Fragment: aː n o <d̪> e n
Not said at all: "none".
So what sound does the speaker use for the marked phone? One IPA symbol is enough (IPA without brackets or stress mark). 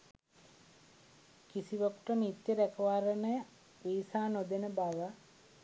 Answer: d̪